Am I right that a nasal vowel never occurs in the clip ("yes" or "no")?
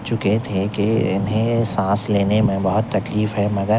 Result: no